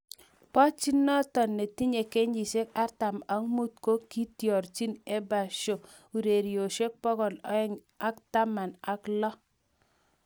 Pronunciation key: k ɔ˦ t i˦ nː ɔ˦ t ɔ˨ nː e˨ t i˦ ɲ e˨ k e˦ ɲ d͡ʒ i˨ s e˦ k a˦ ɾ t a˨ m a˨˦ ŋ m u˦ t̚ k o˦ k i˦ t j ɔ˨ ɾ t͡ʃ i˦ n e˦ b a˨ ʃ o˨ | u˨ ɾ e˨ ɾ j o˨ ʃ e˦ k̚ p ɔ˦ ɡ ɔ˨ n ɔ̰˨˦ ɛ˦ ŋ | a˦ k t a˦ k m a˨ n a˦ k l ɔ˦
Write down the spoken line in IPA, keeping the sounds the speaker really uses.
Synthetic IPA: p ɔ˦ t͡ʃ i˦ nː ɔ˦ t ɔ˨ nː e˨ t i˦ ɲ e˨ k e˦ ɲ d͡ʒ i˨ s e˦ k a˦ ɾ t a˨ m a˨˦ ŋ m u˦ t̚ k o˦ k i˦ t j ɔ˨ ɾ t͡ʃ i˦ n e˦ b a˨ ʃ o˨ | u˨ ɾ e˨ ɾ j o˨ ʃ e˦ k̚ p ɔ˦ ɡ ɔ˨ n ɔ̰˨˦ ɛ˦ ŋ | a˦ k t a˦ m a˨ n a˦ k l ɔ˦